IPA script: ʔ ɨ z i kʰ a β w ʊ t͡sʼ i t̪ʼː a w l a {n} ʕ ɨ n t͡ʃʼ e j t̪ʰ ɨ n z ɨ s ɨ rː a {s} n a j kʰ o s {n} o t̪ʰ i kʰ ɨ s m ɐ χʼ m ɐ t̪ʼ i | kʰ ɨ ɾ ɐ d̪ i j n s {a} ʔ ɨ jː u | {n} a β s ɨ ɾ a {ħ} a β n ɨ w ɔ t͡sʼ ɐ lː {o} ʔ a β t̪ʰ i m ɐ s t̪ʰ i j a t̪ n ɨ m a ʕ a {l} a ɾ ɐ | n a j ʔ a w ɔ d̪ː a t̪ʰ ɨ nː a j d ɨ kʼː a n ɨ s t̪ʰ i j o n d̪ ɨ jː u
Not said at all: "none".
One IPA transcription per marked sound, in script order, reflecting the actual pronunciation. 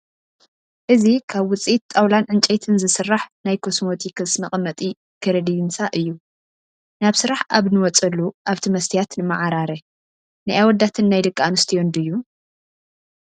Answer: n, ħ, m, a, n, ħ, u, ɾ

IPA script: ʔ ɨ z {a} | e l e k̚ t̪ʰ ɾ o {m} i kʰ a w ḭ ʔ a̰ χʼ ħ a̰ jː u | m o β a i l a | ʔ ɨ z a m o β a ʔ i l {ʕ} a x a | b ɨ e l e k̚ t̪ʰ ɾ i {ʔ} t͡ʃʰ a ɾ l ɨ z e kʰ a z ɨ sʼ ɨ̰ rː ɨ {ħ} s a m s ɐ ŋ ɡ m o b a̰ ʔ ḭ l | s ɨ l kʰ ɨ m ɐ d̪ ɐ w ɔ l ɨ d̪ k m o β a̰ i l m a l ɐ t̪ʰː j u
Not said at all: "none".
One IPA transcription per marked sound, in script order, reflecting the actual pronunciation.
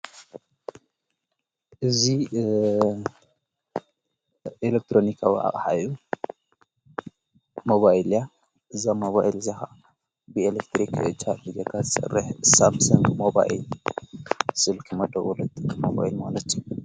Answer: i, n, z, k, ħ

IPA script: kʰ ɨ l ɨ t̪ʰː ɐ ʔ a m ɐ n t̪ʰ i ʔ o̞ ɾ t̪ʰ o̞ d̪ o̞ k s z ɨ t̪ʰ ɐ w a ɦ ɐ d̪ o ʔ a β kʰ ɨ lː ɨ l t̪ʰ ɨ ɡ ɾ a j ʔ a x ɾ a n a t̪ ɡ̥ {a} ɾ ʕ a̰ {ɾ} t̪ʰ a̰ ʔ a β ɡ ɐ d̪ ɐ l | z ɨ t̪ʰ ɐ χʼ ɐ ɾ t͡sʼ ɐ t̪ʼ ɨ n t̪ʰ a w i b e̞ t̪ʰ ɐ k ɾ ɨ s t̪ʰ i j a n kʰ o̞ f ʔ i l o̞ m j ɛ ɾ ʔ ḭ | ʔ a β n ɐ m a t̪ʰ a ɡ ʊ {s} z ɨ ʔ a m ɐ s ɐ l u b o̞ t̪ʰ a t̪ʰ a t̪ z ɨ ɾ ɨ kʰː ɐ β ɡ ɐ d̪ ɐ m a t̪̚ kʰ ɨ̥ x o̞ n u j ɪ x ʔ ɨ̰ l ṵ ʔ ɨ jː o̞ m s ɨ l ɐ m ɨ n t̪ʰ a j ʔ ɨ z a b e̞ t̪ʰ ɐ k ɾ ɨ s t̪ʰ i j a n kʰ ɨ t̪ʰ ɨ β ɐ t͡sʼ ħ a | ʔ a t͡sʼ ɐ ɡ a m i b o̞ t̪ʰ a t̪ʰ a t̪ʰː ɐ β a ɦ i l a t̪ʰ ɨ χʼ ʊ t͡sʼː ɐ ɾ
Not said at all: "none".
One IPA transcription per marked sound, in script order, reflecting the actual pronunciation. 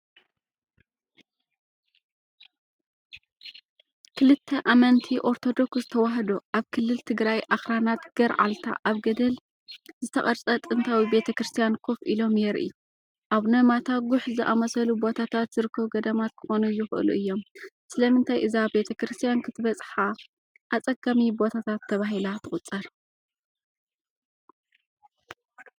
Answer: ɐ, l, ħ

